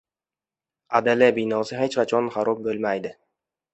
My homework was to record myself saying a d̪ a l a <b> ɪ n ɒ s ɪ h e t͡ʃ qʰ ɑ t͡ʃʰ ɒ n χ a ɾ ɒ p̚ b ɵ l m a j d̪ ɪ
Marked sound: correct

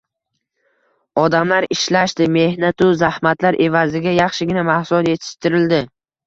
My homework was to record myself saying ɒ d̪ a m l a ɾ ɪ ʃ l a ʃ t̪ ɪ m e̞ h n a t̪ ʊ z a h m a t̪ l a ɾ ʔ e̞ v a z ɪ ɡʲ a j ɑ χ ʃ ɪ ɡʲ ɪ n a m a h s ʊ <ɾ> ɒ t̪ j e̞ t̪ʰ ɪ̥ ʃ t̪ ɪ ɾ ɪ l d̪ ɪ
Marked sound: incorrect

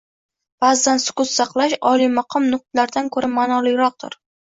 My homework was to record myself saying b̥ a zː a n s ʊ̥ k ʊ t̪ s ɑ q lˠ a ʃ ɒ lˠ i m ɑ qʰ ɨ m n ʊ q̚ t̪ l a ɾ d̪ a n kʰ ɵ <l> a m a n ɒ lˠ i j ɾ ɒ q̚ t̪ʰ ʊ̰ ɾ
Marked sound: incorrect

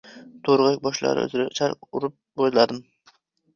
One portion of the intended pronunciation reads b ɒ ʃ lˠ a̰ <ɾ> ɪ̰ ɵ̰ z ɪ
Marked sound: correct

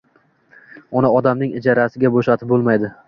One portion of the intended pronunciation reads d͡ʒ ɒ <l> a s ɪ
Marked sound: incorrect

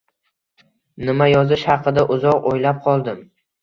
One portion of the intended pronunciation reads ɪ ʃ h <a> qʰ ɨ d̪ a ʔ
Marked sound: incorrect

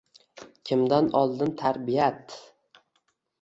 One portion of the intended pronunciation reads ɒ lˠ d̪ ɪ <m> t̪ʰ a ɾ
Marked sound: incorrect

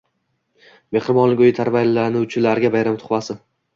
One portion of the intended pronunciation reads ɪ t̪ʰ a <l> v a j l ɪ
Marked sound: incorrect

